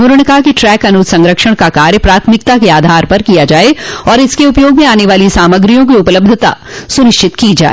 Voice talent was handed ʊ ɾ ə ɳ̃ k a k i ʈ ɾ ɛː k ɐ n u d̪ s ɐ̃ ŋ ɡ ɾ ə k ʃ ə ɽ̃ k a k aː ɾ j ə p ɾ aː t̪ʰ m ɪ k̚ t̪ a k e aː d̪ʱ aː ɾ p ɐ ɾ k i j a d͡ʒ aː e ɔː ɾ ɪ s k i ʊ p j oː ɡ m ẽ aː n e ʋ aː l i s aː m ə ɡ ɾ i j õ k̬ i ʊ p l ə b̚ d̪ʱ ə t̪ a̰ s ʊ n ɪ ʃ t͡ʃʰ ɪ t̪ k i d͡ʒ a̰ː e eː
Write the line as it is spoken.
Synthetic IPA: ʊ ɾ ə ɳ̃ k a k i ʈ ɾ ɛː k ɐ n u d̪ s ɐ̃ ŋ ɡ ɾ ə k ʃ ə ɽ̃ k a k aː ɾ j ə p ɾ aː t̪ʰ m ɪ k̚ t̪ a k e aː d̪ʱ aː ɾ p ɐ ɾ k i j a d͡ʒ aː e ɔː ɾ ɪ s k e ʊ p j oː ɡ m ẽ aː n e ʋ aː l i s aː m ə ɡ ɾ i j õ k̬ i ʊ p l ə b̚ d̪ʱ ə t̪ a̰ s ʊ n ɪ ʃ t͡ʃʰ ɪ t̪ k i d͡ʒ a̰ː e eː

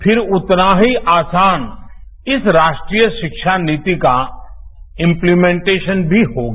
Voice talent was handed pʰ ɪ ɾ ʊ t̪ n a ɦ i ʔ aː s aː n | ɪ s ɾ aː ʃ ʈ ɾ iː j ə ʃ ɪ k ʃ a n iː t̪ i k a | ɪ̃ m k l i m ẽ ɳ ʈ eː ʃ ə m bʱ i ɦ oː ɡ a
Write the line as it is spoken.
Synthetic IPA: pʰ ɪ ɾ ʊ t̪ n a ɦ i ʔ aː s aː n | ɪ s ɾ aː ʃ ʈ ɾ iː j ə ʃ ɪ k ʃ a n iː t̪ i k a | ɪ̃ m p l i m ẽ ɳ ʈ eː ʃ ə n bʱ i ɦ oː ɡ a

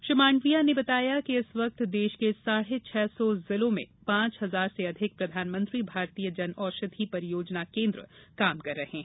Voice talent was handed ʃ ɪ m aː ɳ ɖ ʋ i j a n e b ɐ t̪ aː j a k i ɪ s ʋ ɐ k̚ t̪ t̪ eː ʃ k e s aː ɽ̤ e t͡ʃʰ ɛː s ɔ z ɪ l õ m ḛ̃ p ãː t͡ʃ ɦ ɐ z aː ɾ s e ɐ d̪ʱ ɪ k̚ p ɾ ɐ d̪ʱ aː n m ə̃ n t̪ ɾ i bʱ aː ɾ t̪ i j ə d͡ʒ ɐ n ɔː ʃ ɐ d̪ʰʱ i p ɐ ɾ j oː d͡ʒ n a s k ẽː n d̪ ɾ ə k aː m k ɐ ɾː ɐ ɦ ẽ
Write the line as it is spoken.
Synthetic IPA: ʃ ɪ m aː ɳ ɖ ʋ i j a n e b ɐ t̪ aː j a k i ɪ s ʋ ɐ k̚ t̪ d̪ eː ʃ k e s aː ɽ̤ e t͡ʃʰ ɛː s ɔ z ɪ l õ m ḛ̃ p ãː t͡ʃ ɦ ɐ z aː ɾ s e ɐ d̪ʱ ɪ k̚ p ɾ ɐ d̪ʱ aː n m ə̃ n t̪ ɾ i bʱ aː ɾ t̪ i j ə d͡ʒ ɐ n ɔː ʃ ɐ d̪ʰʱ i p ɐ ɾ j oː d͡ʒ n a k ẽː n d̪ ɾ ə k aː m k ɐ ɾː ɐ ɦ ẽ

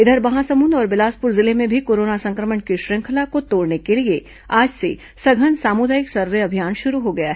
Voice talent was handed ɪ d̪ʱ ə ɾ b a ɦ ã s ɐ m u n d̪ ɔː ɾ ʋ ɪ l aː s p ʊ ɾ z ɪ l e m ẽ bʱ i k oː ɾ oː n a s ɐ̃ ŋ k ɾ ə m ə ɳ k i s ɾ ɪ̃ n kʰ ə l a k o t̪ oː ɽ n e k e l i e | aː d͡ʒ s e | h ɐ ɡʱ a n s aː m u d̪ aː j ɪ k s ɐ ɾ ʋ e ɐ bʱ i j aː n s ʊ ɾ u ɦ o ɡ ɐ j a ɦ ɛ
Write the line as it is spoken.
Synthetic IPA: ɪ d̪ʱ ə ɾ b ɐ ɦ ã s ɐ m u n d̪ ɔː ɾ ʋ ɪ l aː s p ʊ ɾ z ɪ l e m ẽ bʱ i k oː ɾ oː n a s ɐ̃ ŋ k ɾ ə m ə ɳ k i ʃ ɾ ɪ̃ ŋ kʰ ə l a k o t̪ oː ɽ n e k e l i e | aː d͡ʒ s e | s ɐ ɡʱ ə n s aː m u d̪ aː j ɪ k s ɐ ɾ ʋ e ɐ bʱ i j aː n ʃ ʊ ɾ u ɦ o ɡ ɐ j a ɦ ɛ

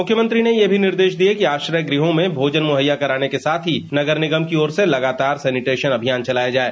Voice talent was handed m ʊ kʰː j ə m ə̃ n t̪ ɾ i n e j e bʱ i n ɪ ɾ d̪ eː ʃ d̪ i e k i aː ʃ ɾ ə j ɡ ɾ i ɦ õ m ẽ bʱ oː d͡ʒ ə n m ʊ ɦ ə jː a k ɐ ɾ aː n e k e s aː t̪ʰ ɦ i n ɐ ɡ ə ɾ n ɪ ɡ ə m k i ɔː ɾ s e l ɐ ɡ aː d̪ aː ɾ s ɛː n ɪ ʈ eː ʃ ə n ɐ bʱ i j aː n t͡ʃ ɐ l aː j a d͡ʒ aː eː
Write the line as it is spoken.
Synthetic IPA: m ʊ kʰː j ə m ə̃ n t̪ ɾ i n e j e bʱ i n ɪ ɾ d̪ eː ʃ d̪ i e k i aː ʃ ɾ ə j ɡ ɾ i ɦ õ m ẽ bʱ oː d͡ʒ ə n m ʊ ɦ ə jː a k ɐ ɾ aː n e k e s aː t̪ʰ ɦ i n ɐ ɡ ə ɾ n ɪ ɡ ə m k i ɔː ɾ s e l ɐ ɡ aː t̪ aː ɾ s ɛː n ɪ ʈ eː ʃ ə n ɐ bʱ i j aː n t͡ʃ ɐ l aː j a d͡ʒ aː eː

